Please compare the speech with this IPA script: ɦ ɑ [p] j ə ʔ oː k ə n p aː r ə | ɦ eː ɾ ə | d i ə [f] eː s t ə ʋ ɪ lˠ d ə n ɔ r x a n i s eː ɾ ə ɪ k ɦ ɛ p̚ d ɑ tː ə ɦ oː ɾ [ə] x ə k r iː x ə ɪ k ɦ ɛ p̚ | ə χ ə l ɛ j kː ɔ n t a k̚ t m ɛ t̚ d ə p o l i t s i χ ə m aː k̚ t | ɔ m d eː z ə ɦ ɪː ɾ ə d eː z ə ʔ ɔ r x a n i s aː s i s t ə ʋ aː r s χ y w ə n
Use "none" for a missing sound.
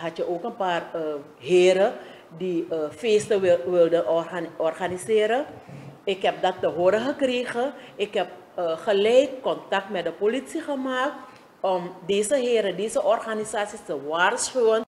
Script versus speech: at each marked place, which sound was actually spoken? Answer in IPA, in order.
t, f, ə

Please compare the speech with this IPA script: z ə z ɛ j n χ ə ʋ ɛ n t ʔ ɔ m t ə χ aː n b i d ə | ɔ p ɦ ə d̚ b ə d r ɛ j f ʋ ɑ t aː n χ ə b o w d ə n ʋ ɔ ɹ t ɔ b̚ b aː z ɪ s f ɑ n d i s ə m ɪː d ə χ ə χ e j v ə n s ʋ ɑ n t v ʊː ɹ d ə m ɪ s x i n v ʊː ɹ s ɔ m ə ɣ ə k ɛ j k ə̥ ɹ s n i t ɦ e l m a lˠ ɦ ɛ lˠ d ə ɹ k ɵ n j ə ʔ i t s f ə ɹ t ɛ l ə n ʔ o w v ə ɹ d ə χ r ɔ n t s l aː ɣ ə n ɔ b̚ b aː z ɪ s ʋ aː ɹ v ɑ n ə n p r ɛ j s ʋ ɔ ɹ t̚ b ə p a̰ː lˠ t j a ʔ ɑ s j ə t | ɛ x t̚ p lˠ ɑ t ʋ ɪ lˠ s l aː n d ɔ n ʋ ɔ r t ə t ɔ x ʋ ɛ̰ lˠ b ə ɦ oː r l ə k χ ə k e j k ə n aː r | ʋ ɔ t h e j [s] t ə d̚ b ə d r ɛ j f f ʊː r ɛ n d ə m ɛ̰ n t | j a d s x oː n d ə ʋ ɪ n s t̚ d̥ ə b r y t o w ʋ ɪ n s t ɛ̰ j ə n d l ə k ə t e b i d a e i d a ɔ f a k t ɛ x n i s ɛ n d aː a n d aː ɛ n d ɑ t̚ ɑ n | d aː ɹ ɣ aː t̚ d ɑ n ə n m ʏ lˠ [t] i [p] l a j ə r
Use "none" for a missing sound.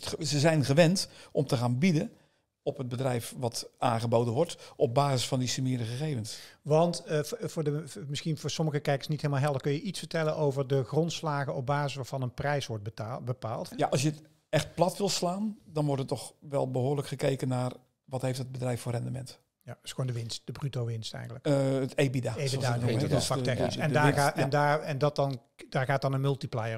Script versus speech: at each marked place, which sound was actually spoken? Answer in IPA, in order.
f, t, p

